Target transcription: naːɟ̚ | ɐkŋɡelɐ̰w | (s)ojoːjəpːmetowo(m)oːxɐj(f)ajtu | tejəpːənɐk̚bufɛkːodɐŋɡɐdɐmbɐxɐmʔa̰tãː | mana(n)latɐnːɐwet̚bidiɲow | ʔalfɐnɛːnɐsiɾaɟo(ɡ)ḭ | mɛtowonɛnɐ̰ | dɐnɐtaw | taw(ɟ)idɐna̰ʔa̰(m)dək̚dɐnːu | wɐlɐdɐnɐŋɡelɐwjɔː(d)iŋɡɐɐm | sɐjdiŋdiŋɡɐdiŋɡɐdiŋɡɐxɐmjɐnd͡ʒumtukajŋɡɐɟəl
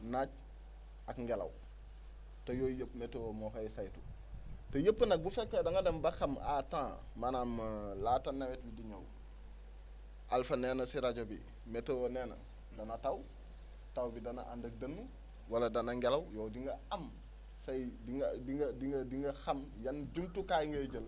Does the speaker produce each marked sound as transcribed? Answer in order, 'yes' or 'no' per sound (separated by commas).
no, yes, no, no, no, no, no, yes